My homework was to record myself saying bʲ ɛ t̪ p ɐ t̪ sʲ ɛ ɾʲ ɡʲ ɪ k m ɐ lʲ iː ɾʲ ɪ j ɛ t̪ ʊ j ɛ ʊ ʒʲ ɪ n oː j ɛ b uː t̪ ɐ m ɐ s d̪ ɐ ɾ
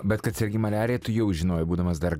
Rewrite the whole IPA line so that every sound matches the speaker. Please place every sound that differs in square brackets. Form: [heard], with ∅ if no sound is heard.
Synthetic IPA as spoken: bʲ ɛ t̪ [k] ɐ t̪ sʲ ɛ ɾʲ ɡʲ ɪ [∅] m ɐ lʲ [æː] ɾʲ ɪ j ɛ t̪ ʊ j ɛ ʊ ʒʲ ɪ n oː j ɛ b uː [d̪] ɐ m ɐ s d̪ ɐ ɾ